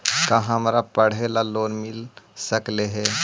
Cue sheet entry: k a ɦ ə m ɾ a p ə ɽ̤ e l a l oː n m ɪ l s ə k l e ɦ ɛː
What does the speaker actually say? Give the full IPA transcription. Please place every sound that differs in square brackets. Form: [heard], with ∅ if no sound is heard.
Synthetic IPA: k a ɦ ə m ɾ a p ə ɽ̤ e l a l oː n m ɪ l s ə k l e ɦ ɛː